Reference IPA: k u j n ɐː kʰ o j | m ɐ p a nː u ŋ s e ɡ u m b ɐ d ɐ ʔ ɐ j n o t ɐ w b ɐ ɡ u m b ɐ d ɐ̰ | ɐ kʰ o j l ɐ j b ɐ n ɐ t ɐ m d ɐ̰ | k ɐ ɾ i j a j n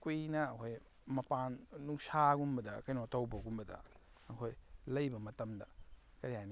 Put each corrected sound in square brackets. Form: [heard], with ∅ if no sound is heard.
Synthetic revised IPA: k u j n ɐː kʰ o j | m ɐ p a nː u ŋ s [a] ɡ u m b ɐ d ɐ [k] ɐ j n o t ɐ w b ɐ ɡ u m b ɐ d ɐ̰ | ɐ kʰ o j l ɐ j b ɐ [m] ɐ t ɐ m d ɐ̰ | k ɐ ɾ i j a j n